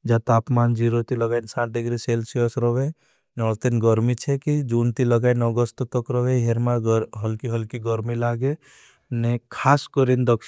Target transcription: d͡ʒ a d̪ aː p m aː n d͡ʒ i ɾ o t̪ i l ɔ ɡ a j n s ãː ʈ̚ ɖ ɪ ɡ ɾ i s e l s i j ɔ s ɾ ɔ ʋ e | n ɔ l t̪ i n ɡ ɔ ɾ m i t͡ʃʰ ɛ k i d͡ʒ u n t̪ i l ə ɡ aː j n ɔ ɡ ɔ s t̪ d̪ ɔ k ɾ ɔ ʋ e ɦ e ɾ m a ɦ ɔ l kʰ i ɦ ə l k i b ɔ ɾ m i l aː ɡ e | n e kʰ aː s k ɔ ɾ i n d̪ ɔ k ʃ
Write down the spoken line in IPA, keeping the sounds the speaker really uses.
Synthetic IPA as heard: d͡ʒ a t̪ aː p m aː n d͡ʒ i ɾ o t̪ i l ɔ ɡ a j n s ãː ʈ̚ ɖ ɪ ɡ ɾ i s e l s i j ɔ s ɾ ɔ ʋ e | n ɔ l t̪ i n ɡ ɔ ɾ m i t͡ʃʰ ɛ k i d͡ʒ u n t̪ i l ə ɡ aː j n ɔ ɡ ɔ s t̪ t̪ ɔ k ɾ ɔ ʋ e ɦ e ɾ m a ɦ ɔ l k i ɦ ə l k i ɡ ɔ ɾ m i l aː ɡ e | n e kʰ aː s k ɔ ɾ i n d̪ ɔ k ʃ